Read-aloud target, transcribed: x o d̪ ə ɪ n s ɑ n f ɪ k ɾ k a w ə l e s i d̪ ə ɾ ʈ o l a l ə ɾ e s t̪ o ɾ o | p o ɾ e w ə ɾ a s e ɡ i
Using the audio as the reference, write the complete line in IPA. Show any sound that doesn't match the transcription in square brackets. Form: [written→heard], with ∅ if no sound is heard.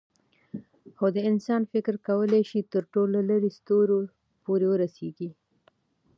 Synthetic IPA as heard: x o d̪ ə ɪ n s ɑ n f ɪ k ɾ k a w ə l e [s→ʃ] i [d̪→t̪] ə ɾ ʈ o l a l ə ɾ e s t̪ o ɾ o | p o ɾ e w ə ɾ a s e ɡ i